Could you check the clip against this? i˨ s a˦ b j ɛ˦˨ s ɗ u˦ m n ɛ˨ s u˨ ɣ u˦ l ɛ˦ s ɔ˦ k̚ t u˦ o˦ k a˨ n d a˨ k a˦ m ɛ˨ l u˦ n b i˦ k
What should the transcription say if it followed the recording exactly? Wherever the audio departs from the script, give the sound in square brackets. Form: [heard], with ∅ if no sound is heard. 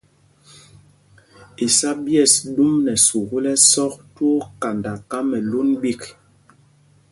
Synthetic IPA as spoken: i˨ s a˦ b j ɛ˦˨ s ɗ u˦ m n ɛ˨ s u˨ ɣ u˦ l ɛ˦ s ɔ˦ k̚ t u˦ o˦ k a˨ n d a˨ k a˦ m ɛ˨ l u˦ n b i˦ k